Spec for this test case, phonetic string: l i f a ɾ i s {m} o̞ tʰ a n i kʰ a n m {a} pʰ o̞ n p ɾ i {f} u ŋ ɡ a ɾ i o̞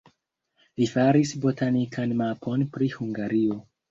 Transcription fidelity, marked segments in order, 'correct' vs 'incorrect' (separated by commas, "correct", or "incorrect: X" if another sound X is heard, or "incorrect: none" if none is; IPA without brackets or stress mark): incorrect: b, correct, incorrect: h